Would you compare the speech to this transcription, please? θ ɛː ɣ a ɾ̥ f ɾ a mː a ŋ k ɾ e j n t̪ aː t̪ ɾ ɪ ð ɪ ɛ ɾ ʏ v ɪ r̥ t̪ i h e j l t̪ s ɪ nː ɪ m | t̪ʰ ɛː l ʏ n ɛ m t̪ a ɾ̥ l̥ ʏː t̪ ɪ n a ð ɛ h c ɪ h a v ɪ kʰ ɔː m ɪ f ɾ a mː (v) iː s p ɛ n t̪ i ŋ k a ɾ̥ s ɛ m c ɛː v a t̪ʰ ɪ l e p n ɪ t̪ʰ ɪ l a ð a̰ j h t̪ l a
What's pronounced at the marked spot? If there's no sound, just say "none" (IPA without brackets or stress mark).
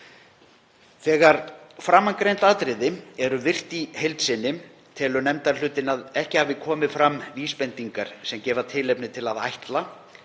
v